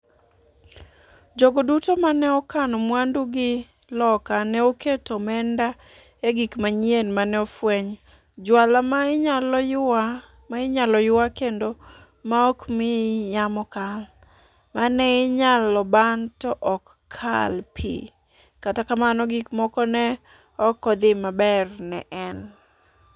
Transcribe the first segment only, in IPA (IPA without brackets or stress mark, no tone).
d͡ʒ